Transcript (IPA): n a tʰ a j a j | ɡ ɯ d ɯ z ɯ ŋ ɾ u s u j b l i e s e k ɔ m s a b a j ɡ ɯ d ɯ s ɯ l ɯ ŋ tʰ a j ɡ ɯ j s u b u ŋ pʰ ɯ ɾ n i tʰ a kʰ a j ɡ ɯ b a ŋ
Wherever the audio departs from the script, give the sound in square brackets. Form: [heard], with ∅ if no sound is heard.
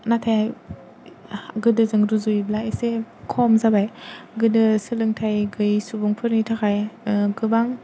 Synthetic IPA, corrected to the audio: n a tʰ a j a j | ɡ ɯ d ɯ z ɯ ŋ ɾ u [z] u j b l [a] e s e [kʰ] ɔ m [z] a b a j ɡ ɯ d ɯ s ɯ l ɯ ŋ tʰ a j ɡ ɯ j s u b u ŋ pʰ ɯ ɾ n i tʰ a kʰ a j ɡ ɯ b a ŋ